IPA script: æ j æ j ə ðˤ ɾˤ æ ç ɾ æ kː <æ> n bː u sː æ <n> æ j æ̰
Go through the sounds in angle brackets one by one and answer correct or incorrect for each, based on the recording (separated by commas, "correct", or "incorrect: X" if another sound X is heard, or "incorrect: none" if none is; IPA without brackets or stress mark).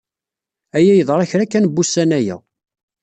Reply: correct, correct